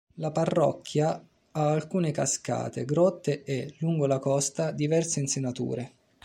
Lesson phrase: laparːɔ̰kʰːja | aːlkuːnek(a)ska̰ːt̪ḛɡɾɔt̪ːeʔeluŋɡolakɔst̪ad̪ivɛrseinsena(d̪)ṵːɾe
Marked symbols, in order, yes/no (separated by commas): yes, no